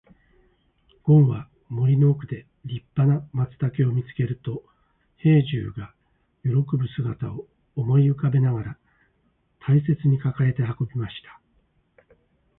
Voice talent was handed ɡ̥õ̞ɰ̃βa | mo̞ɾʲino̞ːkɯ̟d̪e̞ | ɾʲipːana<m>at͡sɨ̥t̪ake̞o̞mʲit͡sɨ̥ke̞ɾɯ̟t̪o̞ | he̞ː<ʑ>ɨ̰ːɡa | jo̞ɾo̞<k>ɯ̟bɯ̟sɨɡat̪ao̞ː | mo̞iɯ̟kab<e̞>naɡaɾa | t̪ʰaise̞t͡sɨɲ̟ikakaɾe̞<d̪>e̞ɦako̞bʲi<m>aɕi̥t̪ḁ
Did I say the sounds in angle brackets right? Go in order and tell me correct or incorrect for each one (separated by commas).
correct, correct, correct, correct, incorrect, correct